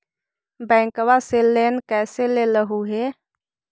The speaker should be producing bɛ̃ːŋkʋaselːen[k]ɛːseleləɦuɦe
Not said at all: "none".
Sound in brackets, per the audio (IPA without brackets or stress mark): k